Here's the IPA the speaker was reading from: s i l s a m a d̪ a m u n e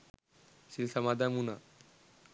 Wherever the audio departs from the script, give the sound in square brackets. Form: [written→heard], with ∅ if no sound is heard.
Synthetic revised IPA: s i l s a m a d̪ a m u n [e→a]